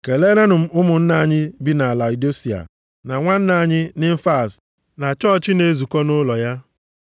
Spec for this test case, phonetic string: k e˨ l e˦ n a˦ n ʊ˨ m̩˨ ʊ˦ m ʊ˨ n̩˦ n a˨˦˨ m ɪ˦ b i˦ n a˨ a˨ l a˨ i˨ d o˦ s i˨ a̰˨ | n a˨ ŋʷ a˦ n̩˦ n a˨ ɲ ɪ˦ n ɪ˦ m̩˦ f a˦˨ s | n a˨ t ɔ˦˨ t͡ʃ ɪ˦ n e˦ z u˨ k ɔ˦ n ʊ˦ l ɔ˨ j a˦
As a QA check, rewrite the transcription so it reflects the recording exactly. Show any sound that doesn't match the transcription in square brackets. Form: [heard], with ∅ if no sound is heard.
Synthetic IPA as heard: k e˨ l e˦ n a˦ n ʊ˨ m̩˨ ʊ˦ m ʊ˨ n̩˦ n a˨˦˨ [ɲ] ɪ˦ b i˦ n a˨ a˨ l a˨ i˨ d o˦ s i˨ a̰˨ | n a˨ ŋʷ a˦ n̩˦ n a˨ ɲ ɪ˦ n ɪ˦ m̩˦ f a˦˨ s | n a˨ [t͡ʃ] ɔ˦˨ t͡ʃ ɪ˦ n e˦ z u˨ k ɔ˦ n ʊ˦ l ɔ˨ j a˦